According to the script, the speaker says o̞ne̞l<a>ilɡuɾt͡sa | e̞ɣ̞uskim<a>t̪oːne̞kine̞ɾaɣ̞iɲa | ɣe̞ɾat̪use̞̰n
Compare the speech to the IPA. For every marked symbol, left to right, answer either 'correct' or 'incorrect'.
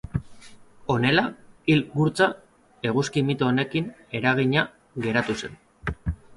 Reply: correct, incorrect: i

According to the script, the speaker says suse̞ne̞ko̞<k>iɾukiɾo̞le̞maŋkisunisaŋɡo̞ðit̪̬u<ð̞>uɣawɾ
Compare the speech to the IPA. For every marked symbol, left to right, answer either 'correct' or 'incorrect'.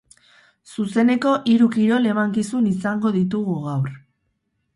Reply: incorrect: ʔ, incorrect: ɣ̞

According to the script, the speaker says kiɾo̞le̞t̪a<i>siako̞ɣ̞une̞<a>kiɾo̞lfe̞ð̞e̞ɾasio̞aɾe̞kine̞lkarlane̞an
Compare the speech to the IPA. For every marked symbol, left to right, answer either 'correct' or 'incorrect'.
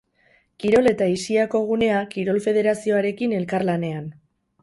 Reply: correct, correct

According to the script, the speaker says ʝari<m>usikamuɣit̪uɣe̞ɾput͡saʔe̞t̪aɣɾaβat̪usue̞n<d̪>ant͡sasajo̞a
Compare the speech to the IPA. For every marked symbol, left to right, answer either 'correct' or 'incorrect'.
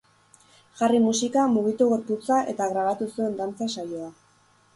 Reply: correct, correct

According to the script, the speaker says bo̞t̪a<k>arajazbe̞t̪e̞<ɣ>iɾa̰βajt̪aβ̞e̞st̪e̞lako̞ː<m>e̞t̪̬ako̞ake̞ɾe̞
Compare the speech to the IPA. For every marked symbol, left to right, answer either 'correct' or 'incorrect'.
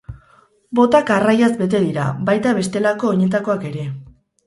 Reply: correct, incorrect: ð, incorrect: ɲ

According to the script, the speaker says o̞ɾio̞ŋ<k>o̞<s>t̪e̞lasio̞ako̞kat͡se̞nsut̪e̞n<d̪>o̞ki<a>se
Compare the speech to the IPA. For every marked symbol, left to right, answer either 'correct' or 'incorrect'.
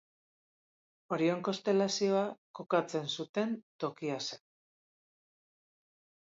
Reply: correct, correct, incorrect: t̪, correct

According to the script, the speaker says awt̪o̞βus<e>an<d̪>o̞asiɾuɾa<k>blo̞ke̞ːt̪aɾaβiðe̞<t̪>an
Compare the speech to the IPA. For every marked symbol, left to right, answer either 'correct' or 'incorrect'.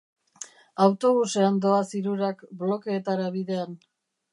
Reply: correct, correct, correct, incorrect: none

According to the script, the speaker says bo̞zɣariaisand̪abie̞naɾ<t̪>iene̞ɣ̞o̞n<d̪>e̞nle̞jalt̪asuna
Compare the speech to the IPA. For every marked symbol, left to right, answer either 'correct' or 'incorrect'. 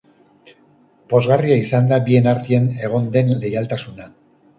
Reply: correct, correct

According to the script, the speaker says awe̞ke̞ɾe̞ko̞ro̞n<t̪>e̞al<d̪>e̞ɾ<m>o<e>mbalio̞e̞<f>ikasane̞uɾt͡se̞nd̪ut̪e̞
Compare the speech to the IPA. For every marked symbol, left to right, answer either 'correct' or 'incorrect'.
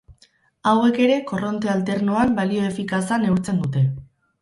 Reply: correct, incorrect: t̪, incorrect: n, incorrect: a, correct

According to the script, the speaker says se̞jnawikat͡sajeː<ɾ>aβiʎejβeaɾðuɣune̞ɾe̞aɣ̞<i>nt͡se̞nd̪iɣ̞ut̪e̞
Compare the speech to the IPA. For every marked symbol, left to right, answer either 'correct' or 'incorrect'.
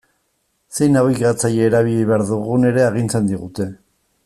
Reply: correct, correct

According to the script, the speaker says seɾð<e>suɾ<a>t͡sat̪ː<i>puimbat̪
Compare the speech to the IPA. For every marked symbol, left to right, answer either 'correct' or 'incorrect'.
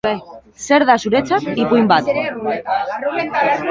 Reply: incorrect: a, incorrect: e, correct

